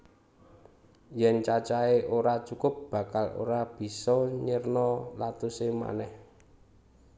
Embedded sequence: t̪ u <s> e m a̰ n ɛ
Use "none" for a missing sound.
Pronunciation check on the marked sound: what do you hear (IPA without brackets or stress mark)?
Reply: s